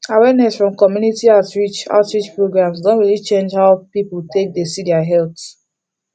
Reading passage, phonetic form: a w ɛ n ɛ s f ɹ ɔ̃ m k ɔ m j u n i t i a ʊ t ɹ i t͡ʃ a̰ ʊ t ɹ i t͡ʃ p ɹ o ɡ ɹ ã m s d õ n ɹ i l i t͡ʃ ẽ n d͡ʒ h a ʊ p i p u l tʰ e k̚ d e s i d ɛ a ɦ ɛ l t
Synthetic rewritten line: a w ɛ n ɛ s f ɹ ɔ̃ m k ɔ m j u n i t i a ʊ t ɹ i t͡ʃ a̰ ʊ t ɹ i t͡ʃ p ɹ o ɡ ɹ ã m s d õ n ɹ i l i t͡ʃ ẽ n d͡ʒ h a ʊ p i p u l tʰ e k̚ d e s i d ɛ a ɦ ɛ l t